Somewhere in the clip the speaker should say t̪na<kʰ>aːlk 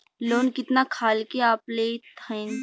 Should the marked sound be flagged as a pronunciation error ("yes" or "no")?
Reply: no